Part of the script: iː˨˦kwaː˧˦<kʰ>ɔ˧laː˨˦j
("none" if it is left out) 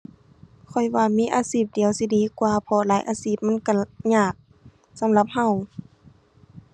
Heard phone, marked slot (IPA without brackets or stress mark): pʰ